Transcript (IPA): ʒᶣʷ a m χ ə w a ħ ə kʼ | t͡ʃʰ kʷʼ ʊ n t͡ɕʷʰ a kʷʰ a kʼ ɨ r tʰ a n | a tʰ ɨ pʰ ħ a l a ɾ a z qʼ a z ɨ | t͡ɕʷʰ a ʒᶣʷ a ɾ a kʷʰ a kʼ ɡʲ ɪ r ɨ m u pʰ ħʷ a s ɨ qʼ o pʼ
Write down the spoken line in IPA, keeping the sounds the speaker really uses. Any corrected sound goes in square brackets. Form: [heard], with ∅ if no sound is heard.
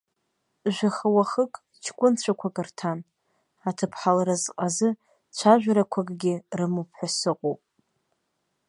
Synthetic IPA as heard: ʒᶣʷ a [∅] χ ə w a [χ] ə kʼ | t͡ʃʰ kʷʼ ʊ n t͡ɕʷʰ a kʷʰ a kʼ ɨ r tʰ a n | a tʰ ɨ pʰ ħ a l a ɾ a z qʼ a z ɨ | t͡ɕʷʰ a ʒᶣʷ a ɾ a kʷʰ a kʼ ɡʲ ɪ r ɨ m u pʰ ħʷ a s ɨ qʼ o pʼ